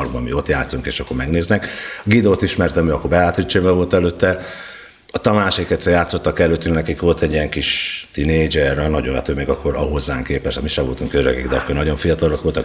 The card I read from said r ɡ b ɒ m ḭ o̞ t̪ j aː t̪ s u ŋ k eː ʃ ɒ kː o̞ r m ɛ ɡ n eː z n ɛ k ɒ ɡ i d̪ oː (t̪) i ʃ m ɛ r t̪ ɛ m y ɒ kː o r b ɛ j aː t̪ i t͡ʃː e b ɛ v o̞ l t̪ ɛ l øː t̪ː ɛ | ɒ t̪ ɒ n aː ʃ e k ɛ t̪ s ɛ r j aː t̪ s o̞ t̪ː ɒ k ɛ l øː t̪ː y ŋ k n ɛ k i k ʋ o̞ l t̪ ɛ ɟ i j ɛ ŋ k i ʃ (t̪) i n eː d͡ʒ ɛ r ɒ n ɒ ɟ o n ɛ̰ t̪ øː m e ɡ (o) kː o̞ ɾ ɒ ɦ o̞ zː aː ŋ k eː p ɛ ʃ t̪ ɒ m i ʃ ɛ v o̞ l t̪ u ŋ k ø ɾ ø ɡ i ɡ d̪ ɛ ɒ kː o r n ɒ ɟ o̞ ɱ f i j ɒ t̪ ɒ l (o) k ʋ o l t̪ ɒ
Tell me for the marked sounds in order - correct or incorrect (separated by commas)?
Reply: correct, correct, incorrect, correct